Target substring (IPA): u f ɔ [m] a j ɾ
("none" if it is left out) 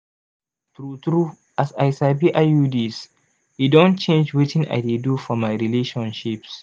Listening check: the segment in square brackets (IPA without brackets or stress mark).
m